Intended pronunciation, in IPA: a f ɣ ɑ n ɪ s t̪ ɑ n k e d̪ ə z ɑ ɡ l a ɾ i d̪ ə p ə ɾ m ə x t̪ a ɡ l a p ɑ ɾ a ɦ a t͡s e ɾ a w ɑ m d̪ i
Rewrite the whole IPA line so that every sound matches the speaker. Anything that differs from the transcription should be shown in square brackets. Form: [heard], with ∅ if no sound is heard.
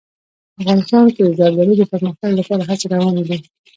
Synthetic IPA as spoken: a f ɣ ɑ n ɪ s t̪ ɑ n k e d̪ ə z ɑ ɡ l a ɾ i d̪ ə p ə ɾ m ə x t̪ a ɡ l a p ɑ ɾ a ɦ a t͡s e ɾ a w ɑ [n] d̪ i